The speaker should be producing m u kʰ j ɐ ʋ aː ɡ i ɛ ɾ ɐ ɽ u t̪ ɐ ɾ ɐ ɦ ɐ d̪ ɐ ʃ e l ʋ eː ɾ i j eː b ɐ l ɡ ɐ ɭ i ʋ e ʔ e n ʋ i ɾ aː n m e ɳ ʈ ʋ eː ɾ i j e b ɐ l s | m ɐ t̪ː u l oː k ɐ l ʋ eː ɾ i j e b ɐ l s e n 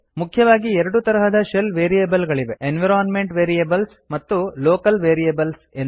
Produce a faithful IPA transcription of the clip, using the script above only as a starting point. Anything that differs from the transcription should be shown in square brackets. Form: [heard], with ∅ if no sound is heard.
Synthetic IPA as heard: m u kʰ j ɐ ʋ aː ɡ i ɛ ɾ ɐ ɽ u t̪ ɐ ɾ ɐ ɦ ɐ d̪ ɐ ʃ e l ʋ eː ɾ i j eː b ɐ l ɡ ɐ ɭ i ʋ e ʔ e n ʋ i ɾ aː n m e ɳ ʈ ʋ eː ɾ i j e b ɐ l s | m ɐ t̪ː u l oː k ɐ l ʋ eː ɾ i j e b ɐ l s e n